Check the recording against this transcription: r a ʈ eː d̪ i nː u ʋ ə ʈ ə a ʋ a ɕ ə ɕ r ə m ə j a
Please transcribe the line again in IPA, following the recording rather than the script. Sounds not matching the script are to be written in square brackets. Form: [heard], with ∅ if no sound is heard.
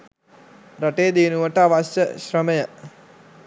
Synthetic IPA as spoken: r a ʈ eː d̪ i [n] u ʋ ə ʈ ə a ʋ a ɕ ə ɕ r ə m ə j [ə]